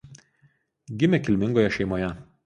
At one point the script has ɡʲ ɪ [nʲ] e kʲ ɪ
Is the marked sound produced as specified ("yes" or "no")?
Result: no